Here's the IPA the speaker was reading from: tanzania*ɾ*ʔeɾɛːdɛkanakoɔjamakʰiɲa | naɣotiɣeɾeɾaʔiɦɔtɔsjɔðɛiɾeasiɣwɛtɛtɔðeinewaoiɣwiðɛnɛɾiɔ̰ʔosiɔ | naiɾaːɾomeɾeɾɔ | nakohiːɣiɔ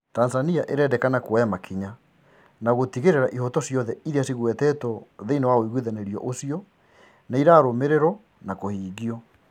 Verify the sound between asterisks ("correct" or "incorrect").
incorrect